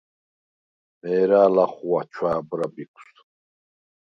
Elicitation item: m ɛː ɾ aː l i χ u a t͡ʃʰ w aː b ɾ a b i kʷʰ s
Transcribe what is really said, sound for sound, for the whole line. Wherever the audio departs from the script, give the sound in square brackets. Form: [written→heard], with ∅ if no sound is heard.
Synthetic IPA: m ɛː ɾ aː l [i→a] χ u a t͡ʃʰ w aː b ɾ a b i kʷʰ s

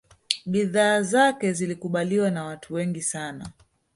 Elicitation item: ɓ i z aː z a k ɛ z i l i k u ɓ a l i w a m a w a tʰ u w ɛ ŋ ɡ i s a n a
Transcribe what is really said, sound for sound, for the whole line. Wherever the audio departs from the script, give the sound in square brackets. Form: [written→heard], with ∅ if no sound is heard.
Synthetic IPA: ɓ i [z→ð] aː z a k ɛ z i l i k u ɓ a l i w a [m→n] a w a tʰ u w ɛ ŋ ɡ i s a n a

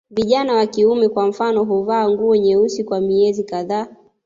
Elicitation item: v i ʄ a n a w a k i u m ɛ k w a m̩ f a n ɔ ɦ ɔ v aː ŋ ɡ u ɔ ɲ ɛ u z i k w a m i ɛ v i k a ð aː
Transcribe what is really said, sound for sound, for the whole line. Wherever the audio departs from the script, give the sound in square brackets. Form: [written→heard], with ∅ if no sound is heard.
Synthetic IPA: v i ʄ a n a w a k i u m ɛ k w a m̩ f a n ɔ ɦ [ɔ→u] v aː ŋ ɡ u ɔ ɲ ɛ u [z→s] i k w a m i ɛ [v→z] i k a ð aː

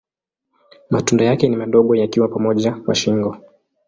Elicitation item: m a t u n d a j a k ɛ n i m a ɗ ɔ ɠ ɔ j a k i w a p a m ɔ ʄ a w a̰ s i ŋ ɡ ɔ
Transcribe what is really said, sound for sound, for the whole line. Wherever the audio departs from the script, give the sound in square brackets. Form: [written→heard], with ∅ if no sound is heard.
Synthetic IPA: m a t u n d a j a k ɛ n i m a ɗ ɔ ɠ ɔ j a k i w a p a m ɔ ʄ a w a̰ [s→ʃ] i ŋ ɡ ɔ

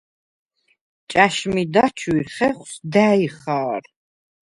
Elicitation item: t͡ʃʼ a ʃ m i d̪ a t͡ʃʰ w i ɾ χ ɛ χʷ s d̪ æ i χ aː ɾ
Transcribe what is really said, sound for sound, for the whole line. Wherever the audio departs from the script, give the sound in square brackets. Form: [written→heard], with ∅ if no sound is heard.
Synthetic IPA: t͡ʃʼ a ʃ m i d̪ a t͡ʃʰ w i ɾ χ ɛ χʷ s d̪ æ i χ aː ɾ

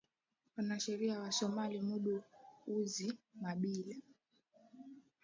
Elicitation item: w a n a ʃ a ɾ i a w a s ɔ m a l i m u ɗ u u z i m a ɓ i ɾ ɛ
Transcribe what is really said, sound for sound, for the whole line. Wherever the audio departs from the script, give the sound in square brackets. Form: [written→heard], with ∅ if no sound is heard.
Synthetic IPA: w a n a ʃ [a→ɛ] ɾ i a w a s ɔ m a l i m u ɗ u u z i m a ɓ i [ɾ→l] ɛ

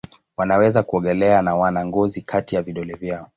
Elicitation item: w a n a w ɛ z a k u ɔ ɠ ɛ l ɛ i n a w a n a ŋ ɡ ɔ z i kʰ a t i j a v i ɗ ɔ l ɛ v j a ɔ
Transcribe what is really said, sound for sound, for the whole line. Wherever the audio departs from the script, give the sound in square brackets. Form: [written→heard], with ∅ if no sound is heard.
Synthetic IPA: w a n a w ɛ z a k u ɔ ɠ ɛ l ɛ [i→a] n a w a n a ŋ ɡ ɔ z i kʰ a t i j a v i ɗ ɔ l ɛ v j a ɔ

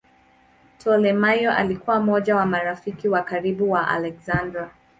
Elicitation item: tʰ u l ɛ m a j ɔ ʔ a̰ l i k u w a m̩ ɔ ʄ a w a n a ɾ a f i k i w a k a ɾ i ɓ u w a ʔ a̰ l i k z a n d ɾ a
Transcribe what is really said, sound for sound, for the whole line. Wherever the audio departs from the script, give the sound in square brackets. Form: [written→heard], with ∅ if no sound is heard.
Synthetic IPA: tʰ [u→ɔ] l ɛ m a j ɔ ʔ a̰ l i k u w a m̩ ɔ ʄ a w a [n→m] a ɾ a f i k i w a k a ɾ i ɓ u w a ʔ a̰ l [i→ɛ] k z a n d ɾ a

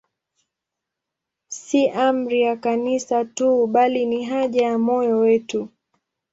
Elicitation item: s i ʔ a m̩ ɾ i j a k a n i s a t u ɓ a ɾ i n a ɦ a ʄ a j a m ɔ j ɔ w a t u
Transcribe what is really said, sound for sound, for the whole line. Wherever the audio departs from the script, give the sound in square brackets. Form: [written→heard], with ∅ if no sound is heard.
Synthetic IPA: s i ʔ a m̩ ɾ i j a k a n i s a t u ɓ a [ɾ→l] i n [a→i] ɦ a ʄ a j a m ɔ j ɔ w [a→ɛ] t u

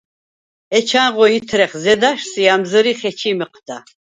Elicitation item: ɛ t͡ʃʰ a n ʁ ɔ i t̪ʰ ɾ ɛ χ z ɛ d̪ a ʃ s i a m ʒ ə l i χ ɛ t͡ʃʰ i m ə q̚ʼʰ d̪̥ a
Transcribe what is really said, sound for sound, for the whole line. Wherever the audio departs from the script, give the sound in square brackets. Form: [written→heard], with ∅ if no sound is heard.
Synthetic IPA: ɛ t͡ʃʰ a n ʁ ɔ i t̪ʰ ɾ ɛ χ z ɛ d̪ a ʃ s i a m [ʒ→z] ə [l→ɾ] i χ ɛ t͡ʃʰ i m ə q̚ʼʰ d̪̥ a

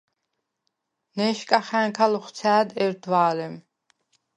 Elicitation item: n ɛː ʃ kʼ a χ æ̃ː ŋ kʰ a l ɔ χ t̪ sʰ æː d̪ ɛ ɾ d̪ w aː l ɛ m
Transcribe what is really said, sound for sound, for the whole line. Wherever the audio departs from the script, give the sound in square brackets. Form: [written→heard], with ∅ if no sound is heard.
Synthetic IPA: n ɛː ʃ kʼ a χ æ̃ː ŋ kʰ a l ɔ χ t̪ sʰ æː d̪ ɛ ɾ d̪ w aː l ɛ m

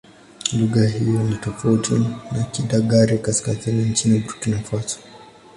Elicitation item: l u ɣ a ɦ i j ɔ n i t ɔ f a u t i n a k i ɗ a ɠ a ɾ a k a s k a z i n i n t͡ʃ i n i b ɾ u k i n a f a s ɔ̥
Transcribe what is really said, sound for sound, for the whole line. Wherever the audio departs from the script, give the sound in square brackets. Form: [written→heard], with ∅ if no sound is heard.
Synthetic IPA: l u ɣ a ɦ i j ɔ n i t ɔ f a u t i n a k i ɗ a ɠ a ɾ [a→i] k a s k a z i n i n t͡ʃ i n i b ɾ u k i n a f a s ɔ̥

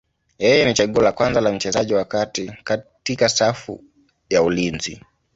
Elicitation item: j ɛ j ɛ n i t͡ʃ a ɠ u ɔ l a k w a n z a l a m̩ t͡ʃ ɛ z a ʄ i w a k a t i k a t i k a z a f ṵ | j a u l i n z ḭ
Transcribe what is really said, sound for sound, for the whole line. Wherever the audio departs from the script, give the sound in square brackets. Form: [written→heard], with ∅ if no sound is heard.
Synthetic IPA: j ɛ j ɛ n i t͡ʃ a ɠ u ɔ l a k w a n z a l a m̩ t͡ʃ ɛ z a ʄ i w a k a t i k a t i k a [z→s] a f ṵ | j a u l i n z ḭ

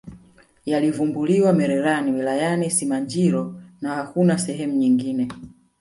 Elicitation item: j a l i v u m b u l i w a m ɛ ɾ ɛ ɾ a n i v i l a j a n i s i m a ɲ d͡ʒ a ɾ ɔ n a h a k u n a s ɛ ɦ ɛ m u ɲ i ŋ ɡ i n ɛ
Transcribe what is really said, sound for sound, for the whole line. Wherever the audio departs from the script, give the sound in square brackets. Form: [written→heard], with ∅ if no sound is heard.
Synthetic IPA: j a l i v u m b u l i w a m ɛ ɾ ɛ ɾ a n i [v→w] i l a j a n i s i m a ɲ d͡ʒ [a→i] ɾ ɔ n a h a k u n a s ɛ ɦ ɛ m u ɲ i ŋ ɡ i n ɛ

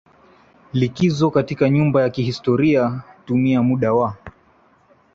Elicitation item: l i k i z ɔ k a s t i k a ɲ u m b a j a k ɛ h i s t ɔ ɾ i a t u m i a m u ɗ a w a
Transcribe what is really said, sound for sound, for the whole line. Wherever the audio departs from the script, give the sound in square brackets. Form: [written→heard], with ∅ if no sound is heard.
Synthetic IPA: l i k i z ɔ k a [s→∅] t i k a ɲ u m b a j a k [ɛ→i] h i s t ɔ ɾ i a t u m i a m u ɗ a w a

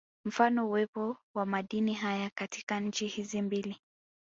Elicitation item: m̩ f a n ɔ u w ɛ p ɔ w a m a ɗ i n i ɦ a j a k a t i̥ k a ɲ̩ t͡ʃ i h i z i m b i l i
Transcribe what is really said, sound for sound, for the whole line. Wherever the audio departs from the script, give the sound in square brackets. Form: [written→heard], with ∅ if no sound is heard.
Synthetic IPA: m̩ f a n ɔ u w ɛ p ɔ w a m a ɗ i n i ɦ a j a k a t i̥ k a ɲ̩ t͡ʃ i h i z i m b i l i

